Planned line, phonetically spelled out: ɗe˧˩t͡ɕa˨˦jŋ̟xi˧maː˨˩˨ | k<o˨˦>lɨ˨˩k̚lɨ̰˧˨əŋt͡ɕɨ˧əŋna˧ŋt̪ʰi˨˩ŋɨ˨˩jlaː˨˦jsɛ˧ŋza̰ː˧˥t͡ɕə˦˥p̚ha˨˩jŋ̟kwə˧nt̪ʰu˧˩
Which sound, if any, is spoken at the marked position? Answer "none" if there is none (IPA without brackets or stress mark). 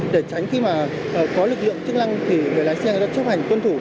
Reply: ɔ˨˦